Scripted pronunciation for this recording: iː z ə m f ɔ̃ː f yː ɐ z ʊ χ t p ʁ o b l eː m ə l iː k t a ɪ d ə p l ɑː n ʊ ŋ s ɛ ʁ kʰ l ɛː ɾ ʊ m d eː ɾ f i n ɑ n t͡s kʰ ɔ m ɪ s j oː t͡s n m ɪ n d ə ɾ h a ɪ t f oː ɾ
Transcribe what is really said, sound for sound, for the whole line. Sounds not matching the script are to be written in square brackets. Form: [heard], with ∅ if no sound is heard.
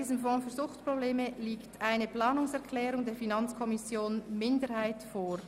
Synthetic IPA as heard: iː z ə m f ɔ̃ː f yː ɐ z ʊ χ t p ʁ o b l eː m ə l iː k t a ɪ [n] ə p l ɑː n ʊ ŋ s ɛ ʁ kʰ l ɛː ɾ ʊ [ŋ] d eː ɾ f i n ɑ n t͡s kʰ ɔ m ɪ s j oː [∅] n m ɪ n d ə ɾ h a ɪ t f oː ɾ